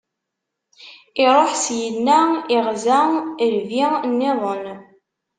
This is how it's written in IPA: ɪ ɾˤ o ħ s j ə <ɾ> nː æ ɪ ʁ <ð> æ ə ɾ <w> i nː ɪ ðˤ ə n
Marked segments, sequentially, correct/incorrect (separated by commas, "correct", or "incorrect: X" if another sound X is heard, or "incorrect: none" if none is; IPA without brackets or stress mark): incorrect: none, incorrect: z, incorrect: v